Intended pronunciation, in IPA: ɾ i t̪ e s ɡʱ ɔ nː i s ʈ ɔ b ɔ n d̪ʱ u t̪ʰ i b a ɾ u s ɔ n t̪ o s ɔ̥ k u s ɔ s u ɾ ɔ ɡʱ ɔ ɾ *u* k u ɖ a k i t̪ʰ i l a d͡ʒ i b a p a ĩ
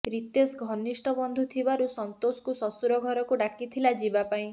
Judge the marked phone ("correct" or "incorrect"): incorrect